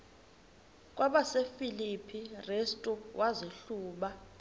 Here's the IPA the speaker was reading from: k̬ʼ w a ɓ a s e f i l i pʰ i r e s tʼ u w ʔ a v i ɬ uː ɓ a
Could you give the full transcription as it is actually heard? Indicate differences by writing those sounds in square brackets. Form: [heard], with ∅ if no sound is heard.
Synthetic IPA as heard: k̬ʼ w a ɓ a s e f i l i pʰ i r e s tʼ u w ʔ a [z] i ɬ uː ɓ a